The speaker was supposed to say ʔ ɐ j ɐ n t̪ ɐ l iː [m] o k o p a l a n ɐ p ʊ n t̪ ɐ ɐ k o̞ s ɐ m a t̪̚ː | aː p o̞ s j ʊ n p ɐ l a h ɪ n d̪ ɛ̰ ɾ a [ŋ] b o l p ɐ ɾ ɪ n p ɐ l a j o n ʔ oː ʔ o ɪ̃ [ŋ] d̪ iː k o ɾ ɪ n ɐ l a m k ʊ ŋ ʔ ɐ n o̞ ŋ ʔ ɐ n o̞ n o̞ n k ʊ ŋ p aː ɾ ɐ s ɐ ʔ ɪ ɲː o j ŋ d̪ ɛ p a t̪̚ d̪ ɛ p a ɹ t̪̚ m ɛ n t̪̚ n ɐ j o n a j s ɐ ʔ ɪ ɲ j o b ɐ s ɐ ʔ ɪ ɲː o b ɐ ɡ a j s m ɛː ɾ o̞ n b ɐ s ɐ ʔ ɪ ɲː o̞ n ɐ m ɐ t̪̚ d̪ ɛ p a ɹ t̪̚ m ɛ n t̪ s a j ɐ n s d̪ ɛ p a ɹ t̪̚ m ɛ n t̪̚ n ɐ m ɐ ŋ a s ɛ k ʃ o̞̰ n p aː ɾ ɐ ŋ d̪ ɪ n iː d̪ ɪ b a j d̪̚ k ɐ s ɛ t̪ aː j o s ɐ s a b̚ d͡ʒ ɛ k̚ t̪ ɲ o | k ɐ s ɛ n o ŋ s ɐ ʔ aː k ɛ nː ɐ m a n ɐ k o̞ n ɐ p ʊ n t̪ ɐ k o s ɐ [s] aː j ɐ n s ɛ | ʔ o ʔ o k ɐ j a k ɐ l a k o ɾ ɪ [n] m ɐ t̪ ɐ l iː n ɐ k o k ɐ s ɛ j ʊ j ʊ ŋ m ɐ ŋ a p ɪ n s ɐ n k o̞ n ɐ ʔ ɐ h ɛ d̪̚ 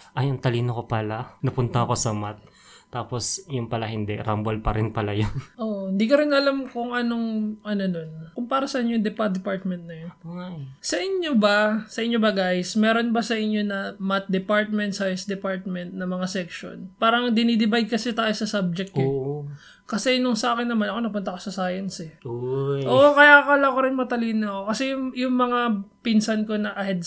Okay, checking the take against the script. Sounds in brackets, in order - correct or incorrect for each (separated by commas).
incorrect, incorrect, incorrect, correct, correct